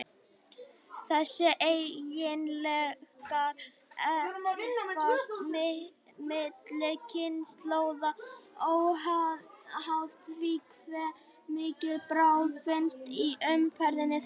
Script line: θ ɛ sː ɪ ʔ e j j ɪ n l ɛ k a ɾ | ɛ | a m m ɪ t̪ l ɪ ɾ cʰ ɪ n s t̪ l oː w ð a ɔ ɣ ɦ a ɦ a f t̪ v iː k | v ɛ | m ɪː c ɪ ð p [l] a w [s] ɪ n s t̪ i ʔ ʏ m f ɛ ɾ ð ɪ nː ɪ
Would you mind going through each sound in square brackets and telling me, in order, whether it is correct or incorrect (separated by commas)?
incorrect, incorrect